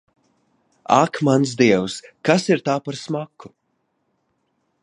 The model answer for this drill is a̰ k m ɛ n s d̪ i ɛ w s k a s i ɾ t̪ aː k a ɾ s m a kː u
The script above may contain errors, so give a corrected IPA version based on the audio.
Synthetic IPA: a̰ k m a n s d̪ i ɛ w s k a s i ɾ t̪ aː p a ɾ s m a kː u